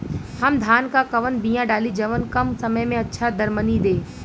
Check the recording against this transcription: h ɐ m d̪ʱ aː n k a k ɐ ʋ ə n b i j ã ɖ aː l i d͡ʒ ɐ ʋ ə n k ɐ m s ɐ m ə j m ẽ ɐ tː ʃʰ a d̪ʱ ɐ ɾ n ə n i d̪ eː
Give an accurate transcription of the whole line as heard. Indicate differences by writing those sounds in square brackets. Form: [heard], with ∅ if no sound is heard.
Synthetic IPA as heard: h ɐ m d̪ʱ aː n k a k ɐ ʋ ə n b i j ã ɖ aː l i d͡ʒ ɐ ʋ ə n k ɐ m s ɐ m ə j m ẽ ɐ tː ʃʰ a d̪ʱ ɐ ɾ [m] ə n i d̪ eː